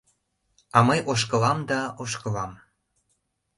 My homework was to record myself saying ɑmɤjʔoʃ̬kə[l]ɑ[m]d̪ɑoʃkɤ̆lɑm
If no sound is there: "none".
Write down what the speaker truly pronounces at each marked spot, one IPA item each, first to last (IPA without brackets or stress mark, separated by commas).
l, m